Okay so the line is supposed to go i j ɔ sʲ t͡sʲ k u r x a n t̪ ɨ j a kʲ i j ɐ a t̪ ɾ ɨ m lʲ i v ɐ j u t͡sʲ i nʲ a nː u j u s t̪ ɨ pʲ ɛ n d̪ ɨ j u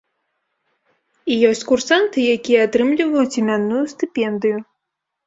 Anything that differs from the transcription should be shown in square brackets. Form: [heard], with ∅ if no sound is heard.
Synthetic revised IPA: i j ɔ sʲ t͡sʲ k u r [s] a n t̪ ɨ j a kʲ i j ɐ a t̪ ɾ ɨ m lʲ i v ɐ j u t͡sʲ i [mʲ] a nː u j u s t̪ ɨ pʲ ɛ n d̪ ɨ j u

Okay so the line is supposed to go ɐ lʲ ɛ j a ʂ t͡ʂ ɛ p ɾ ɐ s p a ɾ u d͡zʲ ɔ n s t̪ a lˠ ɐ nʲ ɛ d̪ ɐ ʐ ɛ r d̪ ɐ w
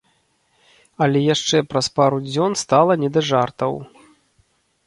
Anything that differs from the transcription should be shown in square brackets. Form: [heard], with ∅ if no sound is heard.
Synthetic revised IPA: ɐ lʲ ɛ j a ʂ t͡ʂ ɛ p ɾ ɐ s p a ɾ u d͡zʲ ɔ n s t̪ a lˠ ɐ nʲ ɛ d̪ ɐ ʐ [a] r [t̪] ɐ w

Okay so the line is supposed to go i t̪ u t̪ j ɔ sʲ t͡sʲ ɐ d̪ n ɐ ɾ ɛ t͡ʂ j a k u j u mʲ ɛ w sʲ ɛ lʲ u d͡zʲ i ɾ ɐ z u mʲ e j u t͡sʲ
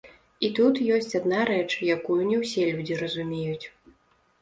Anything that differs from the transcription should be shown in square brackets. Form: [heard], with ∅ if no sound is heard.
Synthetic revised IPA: i t̪ u t̪ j ɔ sʲ t͡sʲ [a] d̪ n [a] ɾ ɛ t͡ʂ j a k u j u [nʲ] ɛ w sʲ ɛ lʲ u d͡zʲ i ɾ ɐ z u mʲ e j u t͡sʲ

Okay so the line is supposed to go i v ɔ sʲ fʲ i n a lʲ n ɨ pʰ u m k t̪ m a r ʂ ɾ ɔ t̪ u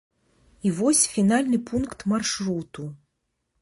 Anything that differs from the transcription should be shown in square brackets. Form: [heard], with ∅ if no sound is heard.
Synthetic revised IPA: i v ɔ sʲ fʲ i n a lʲ n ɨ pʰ u [n] k t̪ m a r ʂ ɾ [u] t̪ u

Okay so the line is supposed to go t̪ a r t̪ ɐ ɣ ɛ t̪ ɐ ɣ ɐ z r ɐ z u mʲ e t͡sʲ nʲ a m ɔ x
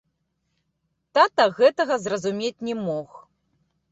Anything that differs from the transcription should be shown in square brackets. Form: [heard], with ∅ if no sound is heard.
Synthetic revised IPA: t̪ a [∅] t̪ ɐ ɣ ɛ t̪ ɐ ɣ ɐ z r ɐ z u mʲ e t͡sʲ nʲ [ɛ] m ɔ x

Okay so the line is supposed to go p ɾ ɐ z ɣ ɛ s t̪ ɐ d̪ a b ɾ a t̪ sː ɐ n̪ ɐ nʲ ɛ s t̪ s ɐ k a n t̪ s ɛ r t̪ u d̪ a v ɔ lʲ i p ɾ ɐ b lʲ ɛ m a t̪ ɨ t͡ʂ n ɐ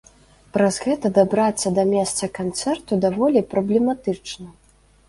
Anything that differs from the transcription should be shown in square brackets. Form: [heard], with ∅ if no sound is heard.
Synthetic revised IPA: p ɾ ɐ z ɣ ɛ [∅] t̪ ɐ d̪ a b ɾ a t̪ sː ɐ [d̪] ɐ [mʲ] ɛ s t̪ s ɐ k a n t̪ s ɛ r t̪ u d̪ a v ɔ lʲ i p ɾ ɐ b lʲ ɛ m a t̪ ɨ t͡ʂ n ɐ

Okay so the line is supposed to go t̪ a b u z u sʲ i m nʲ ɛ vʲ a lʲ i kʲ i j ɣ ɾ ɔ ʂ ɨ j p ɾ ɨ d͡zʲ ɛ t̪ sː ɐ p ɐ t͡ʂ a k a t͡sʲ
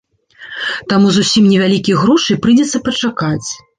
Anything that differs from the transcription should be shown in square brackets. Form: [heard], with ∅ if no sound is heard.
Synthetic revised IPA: t̪ a [m] u z u sʲ i m nʲ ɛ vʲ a lʲ i kʲ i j ɣ ɾ ɔ ʂ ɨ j p ɾ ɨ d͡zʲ ɛ t̪ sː ɐ p ɐ t͡ʂ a k a t͡sʲ

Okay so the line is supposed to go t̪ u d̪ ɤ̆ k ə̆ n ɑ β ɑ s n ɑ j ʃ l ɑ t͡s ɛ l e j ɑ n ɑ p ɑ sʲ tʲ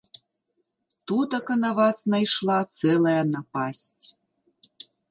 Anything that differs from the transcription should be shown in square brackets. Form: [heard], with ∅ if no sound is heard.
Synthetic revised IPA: t̪ u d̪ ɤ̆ k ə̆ n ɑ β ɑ s n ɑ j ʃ l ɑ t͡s [e] l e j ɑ n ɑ p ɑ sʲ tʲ

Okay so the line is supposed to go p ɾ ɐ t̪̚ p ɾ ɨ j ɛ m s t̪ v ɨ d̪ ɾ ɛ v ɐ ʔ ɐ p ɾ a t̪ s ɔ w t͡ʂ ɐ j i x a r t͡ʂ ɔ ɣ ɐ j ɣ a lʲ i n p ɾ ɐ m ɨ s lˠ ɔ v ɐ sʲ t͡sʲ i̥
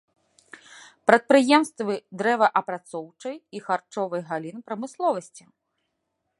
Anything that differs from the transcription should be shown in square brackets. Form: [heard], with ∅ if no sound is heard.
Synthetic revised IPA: p ɾ ɐ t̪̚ p ɾ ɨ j ɛ m s t̪ v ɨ d̪ ɾ ɛ v ɐ ʔ ɐ p ɾ a t̪ s ɔ w t͡ʂ ɐ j i x a r t͡ʂ ɔ [v] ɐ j ɣ a lʲ i n p ɾ ɐ m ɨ s lˠ ɔ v ɐ sʲ t͡sʲ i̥

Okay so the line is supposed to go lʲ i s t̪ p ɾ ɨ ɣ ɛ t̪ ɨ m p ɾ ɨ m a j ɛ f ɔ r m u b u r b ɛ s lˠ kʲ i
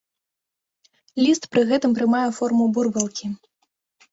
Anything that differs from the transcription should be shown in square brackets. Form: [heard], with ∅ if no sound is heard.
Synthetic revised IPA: lʲ i s t̪ p ɾ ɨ ɣ ɛ t̪ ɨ m p ɾ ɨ m a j ɛ f ɔ r m u b u r b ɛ [∅] lˠ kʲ i

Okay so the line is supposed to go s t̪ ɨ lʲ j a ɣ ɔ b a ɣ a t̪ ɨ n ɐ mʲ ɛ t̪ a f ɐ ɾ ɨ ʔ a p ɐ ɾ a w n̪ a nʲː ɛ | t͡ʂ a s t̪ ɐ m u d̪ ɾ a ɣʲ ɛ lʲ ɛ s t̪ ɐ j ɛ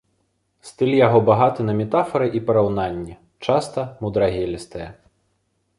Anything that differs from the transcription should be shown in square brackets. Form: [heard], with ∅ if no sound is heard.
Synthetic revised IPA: s t̪ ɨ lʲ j a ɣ ɔ b a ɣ a t̪ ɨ n ɐ mʲ ɛ t̪ a f ɐ ɾ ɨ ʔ [i] p ɐ ɾ a w n̪ a nʲː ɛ | t͡ʂ a s t̪ ɐ m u d̪ ɾ a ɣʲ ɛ lʲ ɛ s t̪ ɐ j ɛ

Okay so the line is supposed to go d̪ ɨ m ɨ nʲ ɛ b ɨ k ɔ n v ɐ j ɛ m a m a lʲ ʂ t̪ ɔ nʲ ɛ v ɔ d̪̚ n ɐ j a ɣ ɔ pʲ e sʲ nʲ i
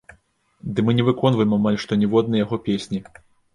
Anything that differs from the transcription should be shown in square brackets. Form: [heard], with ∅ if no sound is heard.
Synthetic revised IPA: d̪ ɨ m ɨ nʲ ɛ [v] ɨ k ɔ n v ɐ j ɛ m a m a lʲ ʂ t̪ ɔ nʲ ɛ v ɔ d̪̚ n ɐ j a ɣ ɔ pʲ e sʲ nʲ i

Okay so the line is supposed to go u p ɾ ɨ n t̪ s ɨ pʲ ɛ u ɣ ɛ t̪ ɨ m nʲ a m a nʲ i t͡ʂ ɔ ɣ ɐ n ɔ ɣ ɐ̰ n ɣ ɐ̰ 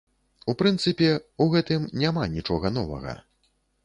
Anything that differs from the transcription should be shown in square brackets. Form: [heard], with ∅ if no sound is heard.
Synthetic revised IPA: u p ɾ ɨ n t̪ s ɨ pʲ ɛ u ɣ ɛ t̪ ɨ m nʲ a m a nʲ i t͡ʂ ɔ ɣ ɐ n ɔ [v] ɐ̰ [∅] ɣ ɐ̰

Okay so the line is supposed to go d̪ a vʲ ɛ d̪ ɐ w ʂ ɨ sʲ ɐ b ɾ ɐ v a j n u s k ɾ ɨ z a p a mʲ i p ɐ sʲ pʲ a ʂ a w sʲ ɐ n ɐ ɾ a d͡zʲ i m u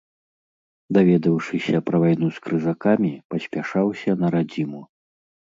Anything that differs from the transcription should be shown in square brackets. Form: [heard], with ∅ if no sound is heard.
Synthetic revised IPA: d̪ a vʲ ɛ d̪ ɐ w ʂ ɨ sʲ ɐ [p] ɾ ɐ v a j n u s k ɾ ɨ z a [k] a mʲ i p ɐ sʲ pʲ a ʂ a w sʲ ɐ n ɐ ɾ a d͡zʲ i m u

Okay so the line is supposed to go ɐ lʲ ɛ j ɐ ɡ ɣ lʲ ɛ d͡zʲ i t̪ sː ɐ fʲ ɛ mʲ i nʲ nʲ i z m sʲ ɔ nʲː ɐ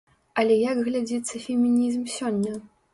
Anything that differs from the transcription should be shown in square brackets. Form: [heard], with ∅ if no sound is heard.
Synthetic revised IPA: ɐ lʲ ɛ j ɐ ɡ ɣ lʲ [a] d͡zʲ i t̪ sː ɐ fʲ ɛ mʲ i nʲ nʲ i z m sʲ ɔ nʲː ɐ

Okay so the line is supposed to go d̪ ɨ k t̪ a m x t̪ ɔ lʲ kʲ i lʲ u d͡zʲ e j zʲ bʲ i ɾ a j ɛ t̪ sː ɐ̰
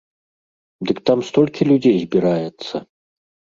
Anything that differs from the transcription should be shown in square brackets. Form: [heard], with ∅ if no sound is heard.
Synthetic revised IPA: d̪ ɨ k t̪ a m [s] t̪ ɔ lʲ kʲ i lʲ u d͡zʲ e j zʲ bʲ i ɾ a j ɛ t̪ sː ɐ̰

